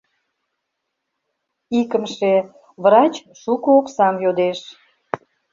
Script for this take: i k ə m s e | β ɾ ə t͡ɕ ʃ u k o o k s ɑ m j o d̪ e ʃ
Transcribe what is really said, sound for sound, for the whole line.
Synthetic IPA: i k ə m ʃ e | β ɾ ɑ t͡ɕ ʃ u k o o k s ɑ m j o d̪ e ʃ